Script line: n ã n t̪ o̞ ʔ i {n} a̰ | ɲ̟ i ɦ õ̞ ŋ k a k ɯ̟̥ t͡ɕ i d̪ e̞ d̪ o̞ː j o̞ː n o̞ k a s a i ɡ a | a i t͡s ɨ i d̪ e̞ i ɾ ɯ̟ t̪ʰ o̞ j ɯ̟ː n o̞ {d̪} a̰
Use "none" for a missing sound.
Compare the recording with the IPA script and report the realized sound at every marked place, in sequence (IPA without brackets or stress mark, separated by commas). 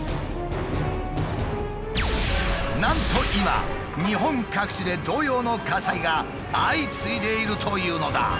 m, d̪